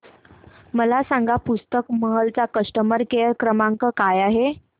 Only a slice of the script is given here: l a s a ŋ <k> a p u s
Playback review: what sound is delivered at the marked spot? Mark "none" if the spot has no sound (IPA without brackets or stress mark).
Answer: ɡ